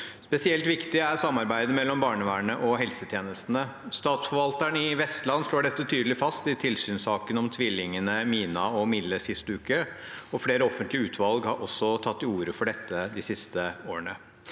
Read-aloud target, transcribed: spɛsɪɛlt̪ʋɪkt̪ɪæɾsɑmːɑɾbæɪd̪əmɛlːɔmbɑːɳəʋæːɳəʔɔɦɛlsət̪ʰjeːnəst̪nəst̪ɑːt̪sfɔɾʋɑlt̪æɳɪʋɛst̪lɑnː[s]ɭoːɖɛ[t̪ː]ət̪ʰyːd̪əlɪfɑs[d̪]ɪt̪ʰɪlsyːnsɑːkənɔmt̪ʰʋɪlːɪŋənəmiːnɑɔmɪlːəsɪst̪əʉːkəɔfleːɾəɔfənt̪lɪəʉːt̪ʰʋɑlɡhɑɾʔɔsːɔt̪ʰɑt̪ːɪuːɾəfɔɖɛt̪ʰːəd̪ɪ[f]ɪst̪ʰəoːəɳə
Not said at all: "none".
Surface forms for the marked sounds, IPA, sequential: ʂ, t̪ː, t̪, s

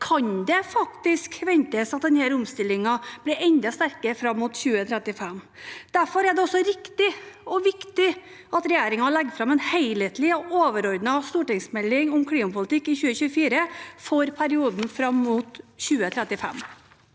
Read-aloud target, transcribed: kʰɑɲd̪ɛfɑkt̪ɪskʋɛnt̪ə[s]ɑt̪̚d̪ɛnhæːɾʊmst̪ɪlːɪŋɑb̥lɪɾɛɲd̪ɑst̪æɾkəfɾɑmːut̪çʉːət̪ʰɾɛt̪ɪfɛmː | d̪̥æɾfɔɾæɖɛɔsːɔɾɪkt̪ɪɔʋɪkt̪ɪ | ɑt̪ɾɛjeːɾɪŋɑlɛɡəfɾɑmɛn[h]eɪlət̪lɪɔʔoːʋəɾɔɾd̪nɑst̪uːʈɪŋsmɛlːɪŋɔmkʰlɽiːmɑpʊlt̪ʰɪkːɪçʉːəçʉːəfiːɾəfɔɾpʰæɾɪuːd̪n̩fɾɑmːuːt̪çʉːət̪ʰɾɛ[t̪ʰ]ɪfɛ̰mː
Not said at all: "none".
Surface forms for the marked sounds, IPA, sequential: s, h, t̪

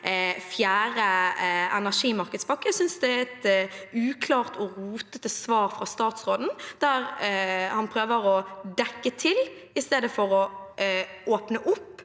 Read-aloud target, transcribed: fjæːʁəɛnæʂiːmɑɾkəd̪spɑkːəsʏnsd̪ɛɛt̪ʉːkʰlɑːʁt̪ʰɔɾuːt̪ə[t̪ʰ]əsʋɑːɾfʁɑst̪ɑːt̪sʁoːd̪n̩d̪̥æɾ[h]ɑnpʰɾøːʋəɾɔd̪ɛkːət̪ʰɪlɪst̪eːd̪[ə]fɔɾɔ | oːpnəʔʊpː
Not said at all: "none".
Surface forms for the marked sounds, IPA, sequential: t̪, h, ə

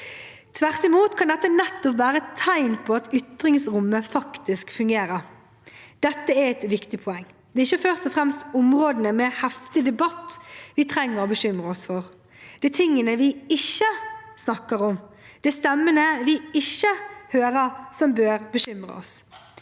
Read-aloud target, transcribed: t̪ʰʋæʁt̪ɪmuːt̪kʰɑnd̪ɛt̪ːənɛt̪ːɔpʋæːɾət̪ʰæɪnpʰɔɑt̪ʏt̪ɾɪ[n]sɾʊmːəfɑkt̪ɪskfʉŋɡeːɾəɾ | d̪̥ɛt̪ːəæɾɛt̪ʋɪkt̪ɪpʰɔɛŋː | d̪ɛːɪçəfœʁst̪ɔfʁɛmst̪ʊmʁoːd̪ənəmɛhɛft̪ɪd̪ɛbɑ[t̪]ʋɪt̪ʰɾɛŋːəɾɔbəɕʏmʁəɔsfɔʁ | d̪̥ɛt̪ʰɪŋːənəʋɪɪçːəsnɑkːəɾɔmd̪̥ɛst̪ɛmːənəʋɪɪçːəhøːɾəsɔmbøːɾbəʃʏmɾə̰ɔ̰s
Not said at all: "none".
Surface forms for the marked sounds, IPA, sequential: ŋ, t̪

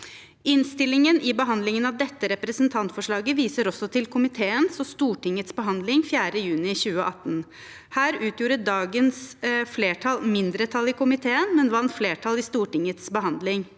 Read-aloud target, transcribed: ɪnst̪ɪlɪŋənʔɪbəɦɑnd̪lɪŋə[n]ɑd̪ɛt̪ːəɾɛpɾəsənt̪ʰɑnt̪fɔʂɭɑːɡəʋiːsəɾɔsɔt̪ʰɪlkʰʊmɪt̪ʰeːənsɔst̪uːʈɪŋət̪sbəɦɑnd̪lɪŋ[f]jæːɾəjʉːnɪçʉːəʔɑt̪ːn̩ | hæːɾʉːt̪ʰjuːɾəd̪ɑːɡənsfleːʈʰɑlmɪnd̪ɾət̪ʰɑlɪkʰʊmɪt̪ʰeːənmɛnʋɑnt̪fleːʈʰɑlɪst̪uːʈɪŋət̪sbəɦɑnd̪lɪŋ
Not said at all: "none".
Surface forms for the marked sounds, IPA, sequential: n, f

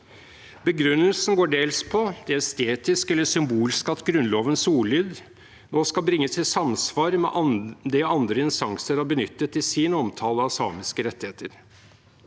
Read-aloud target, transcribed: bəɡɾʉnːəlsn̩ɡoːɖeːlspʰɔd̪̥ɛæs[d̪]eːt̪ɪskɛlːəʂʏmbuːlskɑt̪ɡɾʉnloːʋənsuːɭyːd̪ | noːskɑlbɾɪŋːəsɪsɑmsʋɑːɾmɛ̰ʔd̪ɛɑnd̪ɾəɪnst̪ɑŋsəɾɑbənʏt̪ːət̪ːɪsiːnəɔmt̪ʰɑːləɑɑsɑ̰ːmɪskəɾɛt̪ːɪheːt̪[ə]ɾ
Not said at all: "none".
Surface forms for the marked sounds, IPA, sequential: t̪, ə

